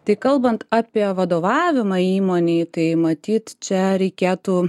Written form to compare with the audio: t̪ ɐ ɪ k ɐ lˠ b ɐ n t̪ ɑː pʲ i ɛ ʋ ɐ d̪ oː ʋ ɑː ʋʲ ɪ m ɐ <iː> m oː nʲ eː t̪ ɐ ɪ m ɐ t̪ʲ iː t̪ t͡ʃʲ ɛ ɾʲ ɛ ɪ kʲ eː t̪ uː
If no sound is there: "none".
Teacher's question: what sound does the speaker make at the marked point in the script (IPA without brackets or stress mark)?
iː